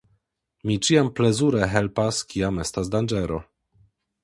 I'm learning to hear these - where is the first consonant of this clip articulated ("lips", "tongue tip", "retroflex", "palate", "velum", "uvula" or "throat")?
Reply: lips